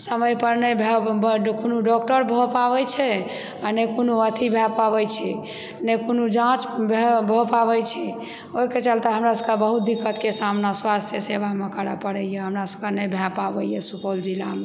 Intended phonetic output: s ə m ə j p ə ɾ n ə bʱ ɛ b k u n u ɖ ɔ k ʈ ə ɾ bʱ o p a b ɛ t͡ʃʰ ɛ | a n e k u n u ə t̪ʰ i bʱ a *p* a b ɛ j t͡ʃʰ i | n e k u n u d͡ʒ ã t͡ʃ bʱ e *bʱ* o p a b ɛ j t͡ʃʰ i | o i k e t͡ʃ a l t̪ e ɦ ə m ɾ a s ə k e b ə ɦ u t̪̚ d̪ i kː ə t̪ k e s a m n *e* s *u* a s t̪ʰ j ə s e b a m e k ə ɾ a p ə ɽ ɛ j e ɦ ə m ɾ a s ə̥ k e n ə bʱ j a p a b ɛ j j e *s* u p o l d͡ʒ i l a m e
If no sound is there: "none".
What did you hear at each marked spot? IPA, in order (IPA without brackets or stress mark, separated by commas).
p, bʱ, a, w, s